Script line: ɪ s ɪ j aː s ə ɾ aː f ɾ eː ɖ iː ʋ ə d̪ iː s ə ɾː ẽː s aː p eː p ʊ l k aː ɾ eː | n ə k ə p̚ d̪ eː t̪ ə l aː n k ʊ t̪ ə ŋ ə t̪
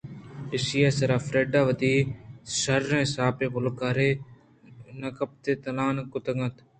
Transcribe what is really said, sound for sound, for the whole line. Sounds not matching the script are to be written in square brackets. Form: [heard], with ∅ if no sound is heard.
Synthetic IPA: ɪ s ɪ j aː s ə ɾ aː f ɾ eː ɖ [aː] ʋ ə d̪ iː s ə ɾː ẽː s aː p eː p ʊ l k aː ɾ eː | n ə k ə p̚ [t̪] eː t̪ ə l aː n k ʊ t̪ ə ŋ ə t̪